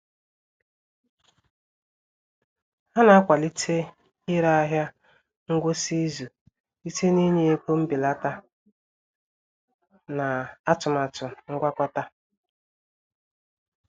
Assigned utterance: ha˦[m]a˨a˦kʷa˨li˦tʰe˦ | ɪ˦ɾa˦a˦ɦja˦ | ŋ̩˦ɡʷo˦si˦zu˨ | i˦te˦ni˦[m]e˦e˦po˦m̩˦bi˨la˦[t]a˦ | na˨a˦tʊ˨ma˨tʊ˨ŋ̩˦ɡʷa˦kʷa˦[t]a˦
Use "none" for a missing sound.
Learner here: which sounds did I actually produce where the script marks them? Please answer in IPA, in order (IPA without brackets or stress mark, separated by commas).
n, ɲ, t, t